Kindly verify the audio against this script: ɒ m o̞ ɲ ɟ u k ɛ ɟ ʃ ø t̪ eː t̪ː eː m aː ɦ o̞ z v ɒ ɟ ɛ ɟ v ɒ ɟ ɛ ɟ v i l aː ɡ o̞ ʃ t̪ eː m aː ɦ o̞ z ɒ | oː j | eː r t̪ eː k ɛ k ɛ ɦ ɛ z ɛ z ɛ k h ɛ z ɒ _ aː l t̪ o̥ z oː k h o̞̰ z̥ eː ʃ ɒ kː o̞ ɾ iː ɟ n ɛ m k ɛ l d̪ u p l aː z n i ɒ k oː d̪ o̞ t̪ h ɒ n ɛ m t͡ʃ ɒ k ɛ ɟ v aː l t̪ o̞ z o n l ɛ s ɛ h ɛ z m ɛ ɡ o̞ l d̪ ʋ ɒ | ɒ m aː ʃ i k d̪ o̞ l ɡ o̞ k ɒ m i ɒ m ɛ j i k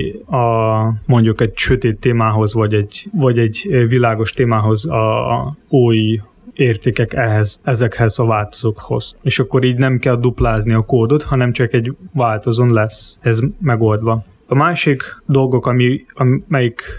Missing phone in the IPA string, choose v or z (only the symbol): v